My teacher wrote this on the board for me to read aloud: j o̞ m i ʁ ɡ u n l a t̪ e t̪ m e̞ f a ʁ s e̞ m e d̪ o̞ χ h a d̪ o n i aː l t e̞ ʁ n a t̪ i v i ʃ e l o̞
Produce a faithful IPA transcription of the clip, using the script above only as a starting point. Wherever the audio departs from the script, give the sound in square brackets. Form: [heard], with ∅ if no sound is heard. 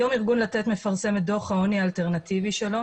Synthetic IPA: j o̞ m i ʁ ɡ u n l a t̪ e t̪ m e̞ f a ʁ s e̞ m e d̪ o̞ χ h a [∅] o n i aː l t e̞ ʁ n a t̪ i v i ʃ e l o̞